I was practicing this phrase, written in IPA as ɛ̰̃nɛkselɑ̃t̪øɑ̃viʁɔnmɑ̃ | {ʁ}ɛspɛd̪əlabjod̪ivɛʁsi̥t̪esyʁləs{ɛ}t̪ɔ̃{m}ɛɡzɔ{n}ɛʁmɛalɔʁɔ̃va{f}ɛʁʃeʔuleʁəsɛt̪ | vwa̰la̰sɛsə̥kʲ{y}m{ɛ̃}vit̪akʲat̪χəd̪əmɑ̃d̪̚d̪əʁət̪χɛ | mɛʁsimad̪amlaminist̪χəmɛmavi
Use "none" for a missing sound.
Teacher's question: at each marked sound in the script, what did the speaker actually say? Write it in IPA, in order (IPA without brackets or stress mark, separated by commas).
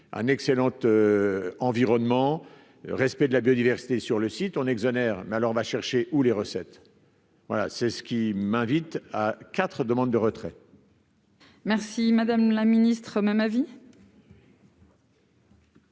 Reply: ʁ, i, n, n, ʃ, i, ɛ̃